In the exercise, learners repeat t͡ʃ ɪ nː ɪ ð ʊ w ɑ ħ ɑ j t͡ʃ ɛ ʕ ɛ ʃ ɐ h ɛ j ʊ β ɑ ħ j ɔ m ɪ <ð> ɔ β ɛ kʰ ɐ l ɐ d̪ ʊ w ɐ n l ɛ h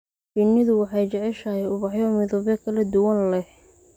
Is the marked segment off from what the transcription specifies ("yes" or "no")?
no